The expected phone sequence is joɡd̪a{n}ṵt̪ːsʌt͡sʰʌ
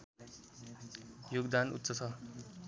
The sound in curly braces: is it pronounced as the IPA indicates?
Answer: yes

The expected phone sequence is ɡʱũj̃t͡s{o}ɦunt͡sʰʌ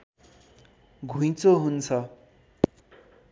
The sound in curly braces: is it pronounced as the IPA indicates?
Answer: yes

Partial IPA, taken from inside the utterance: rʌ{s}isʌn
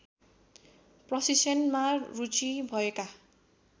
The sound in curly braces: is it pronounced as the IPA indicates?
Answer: yes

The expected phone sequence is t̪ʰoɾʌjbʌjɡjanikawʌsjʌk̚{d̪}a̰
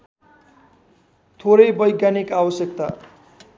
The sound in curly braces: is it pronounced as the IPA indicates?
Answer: no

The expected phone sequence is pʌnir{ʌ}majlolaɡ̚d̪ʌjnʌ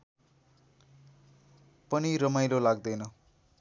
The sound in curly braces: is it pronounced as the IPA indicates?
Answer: yes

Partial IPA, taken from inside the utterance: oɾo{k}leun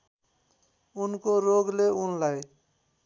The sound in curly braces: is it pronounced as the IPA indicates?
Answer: no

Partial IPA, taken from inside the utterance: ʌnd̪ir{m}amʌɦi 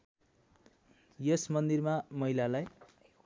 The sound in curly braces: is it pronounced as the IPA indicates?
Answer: yes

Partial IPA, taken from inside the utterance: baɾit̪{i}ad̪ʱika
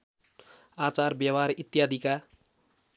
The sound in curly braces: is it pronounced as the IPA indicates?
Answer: no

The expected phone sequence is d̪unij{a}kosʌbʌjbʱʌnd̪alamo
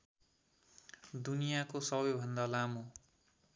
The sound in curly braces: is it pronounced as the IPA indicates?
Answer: yes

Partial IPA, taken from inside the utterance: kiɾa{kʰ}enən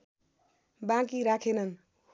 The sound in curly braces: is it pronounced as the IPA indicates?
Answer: yes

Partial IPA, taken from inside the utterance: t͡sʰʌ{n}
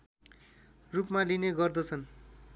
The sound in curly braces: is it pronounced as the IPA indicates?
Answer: yes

